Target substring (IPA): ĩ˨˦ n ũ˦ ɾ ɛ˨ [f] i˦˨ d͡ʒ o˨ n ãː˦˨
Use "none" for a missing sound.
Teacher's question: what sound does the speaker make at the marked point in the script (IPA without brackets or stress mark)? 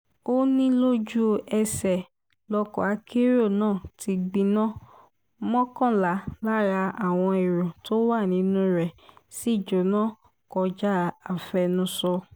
s